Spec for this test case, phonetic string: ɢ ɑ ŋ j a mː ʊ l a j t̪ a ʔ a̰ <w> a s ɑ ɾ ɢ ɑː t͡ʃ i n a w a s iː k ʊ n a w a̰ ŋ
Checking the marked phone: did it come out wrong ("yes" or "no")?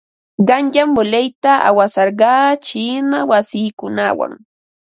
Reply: no